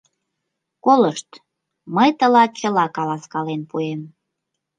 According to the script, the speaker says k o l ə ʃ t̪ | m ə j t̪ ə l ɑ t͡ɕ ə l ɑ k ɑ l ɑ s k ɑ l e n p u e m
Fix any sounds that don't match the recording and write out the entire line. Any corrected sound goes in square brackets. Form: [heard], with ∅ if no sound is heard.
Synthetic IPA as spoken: k o l ə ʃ t̪ | m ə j t̪ ə l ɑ t͡ɕ ə l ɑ k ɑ l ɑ s k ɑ l e n p u e m